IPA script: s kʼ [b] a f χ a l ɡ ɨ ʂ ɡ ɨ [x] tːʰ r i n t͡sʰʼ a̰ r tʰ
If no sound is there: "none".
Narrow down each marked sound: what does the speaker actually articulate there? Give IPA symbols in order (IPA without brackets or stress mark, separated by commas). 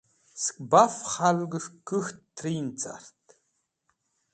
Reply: b, x